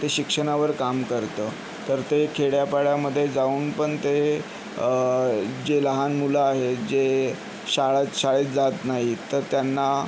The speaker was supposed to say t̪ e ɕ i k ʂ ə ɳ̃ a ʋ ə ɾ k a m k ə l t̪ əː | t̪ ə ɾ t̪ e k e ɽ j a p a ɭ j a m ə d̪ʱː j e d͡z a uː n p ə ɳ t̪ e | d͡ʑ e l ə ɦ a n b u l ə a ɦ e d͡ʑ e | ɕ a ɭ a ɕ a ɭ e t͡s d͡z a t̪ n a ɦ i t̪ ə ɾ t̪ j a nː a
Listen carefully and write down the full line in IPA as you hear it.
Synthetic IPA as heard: t̪ e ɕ i k ʂ ə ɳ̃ a ʋ ə ɾ k a m k ə ɾ t̪ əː | t̪ ə ɾ t̪ e kʰ e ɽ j a p a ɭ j a m ə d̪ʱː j e d͡z a uː n p ə ɳ t̪ e | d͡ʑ e l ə ɦ a n m u l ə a ɦ e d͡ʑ e | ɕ a ɭ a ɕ a ɭ e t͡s d͡z a t̪ n a ɦ i t̪ ə ɾ t̪ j a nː a